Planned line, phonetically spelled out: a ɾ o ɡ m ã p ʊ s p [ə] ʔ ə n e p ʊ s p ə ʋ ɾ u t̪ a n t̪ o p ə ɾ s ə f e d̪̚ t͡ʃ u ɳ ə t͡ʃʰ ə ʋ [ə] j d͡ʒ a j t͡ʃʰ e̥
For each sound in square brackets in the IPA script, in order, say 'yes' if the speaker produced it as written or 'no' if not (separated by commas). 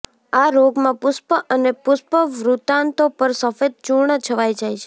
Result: yes, no